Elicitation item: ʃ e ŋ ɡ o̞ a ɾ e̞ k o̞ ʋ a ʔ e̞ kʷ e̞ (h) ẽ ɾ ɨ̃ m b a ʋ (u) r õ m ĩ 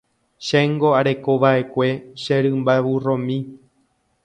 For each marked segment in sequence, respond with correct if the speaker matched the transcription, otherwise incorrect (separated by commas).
incorrect, correct